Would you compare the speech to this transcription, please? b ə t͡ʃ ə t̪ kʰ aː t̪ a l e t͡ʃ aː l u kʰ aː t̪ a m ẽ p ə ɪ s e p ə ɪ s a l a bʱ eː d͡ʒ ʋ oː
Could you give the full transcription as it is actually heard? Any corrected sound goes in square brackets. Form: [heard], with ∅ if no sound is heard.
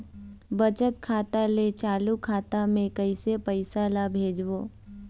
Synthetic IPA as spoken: b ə t͡ʃ ə t̪ kʰ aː t̪ a l e t͡ʃ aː l u kʰ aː t̪ a m ẽ [k] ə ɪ s e p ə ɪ s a l a bʱ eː d͡ʒ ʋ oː